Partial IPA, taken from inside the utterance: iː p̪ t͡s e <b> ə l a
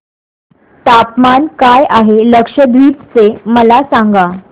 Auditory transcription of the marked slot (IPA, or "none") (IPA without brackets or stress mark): m